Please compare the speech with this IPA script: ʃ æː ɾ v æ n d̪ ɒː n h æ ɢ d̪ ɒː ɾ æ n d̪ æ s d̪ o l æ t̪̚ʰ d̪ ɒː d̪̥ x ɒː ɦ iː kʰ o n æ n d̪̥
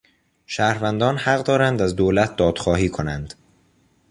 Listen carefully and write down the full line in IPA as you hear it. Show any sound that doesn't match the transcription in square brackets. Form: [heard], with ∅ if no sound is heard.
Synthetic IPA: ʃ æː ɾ v æ n d̪ ɒː n h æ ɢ d̪ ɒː ɾ æ n d̪ æ [z] d̪ o l æ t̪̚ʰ d̪ ɒː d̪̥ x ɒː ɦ iː kʰ o n æ n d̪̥